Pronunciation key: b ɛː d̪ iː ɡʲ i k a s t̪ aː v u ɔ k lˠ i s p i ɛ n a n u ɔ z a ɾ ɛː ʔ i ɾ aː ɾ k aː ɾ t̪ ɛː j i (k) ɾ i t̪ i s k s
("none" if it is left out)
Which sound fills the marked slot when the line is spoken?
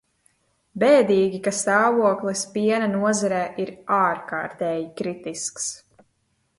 k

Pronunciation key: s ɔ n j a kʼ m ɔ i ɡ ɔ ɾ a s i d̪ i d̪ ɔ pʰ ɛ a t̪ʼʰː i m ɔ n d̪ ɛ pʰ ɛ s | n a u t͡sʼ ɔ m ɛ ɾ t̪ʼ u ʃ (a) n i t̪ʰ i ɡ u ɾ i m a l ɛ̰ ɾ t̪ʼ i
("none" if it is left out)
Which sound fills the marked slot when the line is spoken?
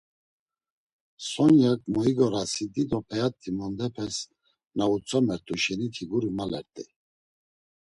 ɛ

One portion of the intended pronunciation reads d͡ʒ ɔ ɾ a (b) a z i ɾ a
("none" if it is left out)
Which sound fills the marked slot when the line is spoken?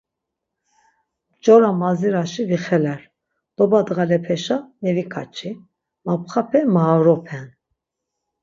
m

